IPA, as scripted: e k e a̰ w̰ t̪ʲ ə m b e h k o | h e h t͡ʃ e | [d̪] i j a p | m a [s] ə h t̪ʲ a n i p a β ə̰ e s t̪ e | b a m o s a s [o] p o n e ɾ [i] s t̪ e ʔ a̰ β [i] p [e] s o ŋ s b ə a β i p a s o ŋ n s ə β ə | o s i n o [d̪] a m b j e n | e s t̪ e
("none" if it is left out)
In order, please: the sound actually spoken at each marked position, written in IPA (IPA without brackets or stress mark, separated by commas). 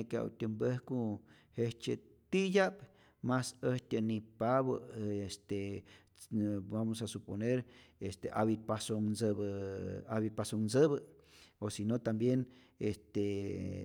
t̪, s, u, e, i, a, t̪